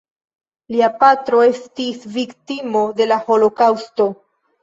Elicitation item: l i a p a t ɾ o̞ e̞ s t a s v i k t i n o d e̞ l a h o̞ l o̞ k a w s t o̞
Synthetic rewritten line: l i a p a t ɾ o̞ e̞ s t i s v i k t i m o d e̞ l a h o̞ l o̞ k a w s t o̞